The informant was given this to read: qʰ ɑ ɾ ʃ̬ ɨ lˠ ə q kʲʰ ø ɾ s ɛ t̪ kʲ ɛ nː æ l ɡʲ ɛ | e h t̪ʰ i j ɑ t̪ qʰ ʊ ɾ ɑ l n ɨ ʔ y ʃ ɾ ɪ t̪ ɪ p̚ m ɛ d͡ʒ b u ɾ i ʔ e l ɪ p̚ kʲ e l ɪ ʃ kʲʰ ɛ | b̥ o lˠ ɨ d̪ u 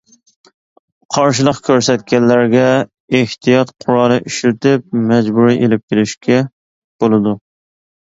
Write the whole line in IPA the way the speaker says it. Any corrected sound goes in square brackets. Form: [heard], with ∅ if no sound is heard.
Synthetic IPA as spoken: qʰ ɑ ɾ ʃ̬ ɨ lˠ ə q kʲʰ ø ɾ s ɛ t̪ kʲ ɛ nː æ [ɾ] ɡʲ ɛ | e h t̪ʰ i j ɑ t̪ qʰ ʊ ɾ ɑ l n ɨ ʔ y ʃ ɾ ɪ t̪ ɪ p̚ m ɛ d͡ʒ b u ɾ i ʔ e l ɪ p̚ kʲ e l ɪ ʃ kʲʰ ɛ | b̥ o lˠ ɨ d̪ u